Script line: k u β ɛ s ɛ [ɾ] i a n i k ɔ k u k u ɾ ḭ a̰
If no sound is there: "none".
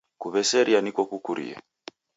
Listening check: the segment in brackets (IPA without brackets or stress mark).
ɾ